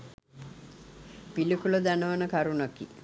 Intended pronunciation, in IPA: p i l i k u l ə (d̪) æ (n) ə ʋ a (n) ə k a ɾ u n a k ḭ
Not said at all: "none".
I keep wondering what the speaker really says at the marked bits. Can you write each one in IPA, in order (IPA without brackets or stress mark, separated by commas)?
d̪, n, n